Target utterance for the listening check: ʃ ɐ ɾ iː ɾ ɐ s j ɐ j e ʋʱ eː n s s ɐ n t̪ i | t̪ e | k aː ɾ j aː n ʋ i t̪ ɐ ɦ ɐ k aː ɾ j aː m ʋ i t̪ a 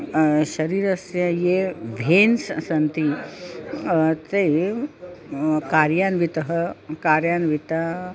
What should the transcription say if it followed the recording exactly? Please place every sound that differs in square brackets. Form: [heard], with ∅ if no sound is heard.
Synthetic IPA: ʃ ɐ ɾ iː ɾ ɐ s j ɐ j e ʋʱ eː n s s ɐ n t̪ i | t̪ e | k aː ɾ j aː n ʋ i t̪ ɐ ɦ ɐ k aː ɾ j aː [n] ʋ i t̪ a